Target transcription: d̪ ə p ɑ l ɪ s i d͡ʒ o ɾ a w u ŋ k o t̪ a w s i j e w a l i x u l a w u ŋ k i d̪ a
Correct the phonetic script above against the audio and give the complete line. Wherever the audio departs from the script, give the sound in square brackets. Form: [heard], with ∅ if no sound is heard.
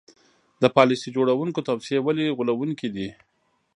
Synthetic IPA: d̪ ə p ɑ l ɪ s i d͡ʒ o [ɽ] a w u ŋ k o t̪ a w s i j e w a l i [ɣ] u l a w u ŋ k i d̪ [i]

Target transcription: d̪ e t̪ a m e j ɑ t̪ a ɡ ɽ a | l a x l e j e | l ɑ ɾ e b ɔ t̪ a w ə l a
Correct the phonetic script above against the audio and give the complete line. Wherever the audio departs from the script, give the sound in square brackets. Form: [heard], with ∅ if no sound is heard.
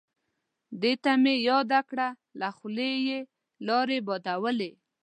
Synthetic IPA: d̪ e t̪ a m e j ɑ [d̪] a [k] ɽ a | l a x l e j e | l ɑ ɾ e b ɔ [d̪] a w ə l [e]

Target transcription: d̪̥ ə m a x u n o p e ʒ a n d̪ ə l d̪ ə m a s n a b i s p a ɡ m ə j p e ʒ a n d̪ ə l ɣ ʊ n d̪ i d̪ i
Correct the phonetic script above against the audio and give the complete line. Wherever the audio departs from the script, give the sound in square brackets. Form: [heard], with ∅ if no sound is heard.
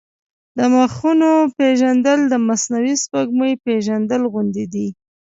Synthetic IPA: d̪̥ ə m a x u n o p e ʒ a n d̪ ə l d̪ ə m a s n a [w] i s p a ɡ m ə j p e ʒ a n d̪ ə l ɣ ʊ n d̪ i d̪ i

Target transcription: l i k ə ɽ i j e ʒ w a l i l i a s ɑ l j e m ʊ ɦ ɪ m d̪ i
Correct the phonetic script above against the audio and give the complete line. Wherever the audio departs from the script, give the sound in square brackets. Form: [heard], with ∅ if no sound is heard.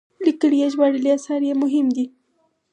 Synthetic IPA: l i k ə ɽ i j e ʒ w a [ɽ] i l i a s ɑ [ɾ] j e m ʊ ɦ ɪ m d̪ i

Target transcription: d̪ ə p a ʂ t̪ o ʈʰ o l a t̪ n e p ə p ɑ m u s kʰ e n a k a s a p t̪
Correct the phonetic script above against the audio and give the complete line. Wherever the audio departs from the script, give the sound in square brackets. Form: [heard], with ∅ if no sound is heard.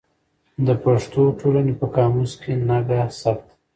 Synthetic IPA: d̪ ə p a ʂ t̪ o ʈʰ o l a [∅] n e p ə [k] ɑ m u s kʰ e n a [ɡ] a s a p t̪

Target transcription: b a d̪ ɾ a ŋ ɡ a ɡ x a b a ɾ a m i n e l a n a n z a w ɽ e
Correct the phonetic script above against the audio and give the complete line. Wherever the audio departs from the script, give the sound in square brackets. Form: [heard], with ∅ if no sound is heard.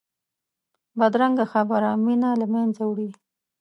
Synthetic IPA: b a d̪ ɾ a ŋ ɡ a [∅] x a b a ɾ a m i n [a] l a [m] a n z a w ɽ [i]

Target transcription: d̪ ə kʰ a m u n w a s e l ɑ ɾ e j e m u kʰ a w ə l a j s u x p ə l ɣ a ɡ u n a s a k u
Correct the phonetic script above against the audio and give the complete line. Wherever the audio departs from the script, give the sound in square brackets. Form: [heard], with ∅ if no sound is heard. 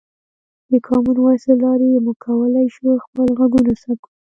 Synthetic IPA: d̪ ə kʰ [ɑ] m u n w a s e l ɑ ɾ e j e m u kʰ a w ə l a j [ʃ] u x p ə l ɣ a ɡ u n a s a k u

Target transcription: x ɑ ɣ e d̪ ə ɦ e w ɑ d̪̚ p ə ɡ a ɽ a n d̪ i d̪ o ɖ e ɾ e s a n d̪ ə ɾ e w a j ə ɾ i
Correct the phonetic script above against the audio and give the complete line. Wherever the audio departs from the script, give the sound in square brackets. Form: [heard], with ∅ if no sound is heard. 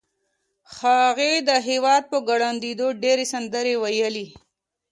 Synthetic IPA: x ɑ ɣ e d̪ ə ɦ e w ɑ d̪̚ p ə ɡ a ɽ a n d̪ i d̪ o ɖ e ɾ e s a n d̪ ə ɾ e w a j ə [l] i

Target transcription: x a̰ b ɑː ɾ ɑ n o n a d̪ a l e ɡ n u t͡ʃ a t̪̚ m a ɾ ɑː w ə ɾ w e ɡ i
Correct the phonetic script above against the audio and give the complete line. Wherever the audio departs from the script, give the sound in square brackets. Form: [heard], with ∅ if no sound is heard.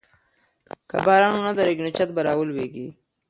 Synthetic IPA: [k] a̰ b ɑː ɾ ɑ n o n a d̪ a [ɾ] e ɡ n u t͡ʃ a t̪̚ [b] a ɾ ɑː w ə [l] w e ɡ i

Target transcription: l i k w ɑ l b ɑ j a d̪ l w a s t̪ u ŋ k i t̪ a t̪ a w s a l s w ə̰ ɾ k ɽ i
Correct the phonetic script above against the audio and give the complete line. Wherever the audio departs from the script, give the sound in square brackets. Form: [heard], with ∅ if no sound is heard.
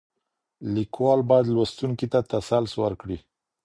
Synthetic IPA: l i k w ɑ l b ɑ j a d̪ l w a s t̪ u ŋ k i t̪ a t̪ a [∅] s a l s w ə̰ ɾ k ɽ i

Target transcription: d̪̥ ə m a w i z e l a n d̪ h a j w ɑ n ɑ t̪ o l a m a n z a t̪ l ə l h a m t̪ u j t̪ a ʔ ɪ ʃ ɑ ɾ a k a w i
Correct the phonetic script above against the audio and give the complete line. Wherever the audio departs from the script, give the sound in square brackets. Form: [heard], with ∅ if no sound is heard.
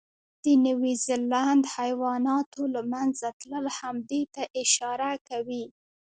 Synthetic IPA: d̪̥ ə [n] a w i z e l a n d̪ h a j w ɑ n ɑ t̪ o l a m a n z a t̪ l ə l h a m [d̪] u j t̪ a ʔ ɪ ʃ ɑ ɾ a k a w i

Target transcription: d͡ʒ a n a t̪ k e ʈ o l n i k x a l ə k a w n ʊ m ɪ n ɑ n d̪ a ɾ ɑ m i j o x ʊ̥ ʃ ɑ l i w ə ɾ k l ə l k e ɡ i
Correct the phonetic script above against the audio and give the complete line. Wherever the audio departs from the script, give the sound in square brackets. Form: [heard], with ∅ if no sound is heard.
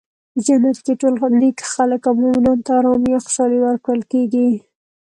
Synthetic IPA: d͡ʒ a n a t̪ k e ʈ o l n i k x a l ə k a w [m] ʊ m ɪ n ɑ n [t̪] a ɾ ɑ m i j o x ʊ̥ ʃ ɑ l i w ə ɾ k [ɽ] ə l k e ɡ i

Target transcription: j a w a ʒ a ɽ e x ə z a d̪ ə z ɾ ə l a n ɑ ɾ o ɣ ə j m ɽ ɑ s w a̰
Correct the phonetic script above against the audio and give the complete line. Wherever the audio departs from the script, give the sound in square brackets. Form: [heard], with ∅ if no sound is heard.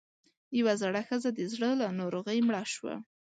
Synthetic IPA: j a w a [z] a ɽ [a] x ə z a d̪ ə z [ɽ] ə l a n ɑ ɾ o ɣ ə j m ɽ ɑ [ʃ] w a̰

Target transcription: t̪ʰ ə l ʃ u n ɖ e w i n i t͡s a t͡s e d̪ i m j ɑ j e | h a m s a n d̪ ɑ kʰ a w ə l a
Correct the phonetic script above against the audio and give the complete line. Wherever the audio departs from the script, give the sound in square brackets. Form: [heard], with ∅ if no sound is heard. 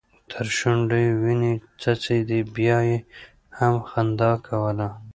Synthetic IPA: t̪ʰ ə [ɾ] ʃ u [ɳ] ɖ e w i n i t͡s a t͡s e d̪ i [b] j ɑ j e | h a m [x] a n d̪ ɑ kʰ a w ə l a

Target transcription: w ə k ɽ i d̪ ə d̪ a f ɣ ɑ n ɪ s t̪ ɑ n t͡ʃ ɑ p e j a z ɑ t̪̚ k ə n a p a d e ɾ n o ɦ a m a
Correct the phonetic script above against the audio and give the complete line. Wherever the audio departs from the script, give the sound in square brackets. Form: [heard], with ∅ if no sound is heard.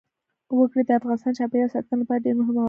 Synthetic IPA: w ə k ɽ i d̪ ə [∅] a f ɣ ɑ n ɪ s t̪ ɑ n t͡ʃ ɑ p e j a [s] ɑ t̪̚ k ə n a p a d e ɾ n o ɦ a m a

